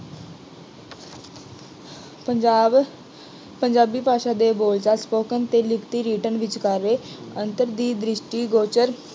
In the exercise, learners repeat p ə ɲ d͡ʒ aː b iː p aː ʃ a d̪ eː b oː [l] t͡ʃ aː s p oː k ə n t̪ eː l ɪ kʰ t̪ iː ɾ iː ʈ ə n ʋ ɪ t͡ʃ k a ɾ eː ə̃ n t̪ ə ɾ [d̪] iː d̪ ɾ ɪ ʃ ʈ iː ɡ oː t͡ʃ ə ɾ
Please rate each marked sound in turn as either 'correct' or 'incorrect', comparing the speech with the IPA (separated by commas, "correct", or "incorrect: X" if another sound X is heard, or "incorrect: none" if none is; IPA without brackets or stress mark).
correct, correct